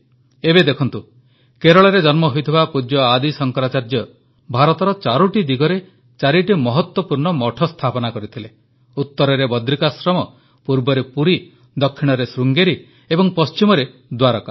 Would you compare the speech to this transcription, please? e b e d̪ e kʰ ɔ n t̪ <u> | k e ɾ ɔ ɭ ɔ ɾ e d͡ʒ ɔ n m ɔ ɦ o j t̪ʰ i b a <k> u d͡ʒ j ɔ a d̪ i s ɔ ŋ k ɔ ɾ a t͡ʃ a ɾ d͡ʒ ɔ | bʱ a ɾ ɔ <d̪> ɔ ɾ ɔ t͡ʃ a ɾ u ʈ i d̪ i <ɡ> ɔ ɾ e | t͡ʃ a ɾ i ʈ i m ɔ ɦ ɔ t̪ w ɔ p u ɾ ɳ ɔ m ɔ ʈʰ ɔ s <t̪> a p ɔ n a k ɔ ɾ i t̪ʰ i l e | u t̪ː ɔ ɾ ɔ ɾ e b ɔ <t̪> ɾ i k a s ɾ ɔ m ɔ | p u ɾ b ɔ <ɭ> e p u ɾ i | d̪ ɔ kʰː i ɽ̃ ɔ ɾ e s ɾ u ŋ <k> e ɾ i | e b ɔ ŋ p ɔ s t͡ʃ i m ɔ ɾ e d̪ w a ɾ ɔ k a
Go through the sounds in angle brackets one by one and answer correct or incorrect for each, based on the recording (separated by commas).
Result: correct, incorrect, incorrect, correct, incorrect, incorrect, incorrect, incorrect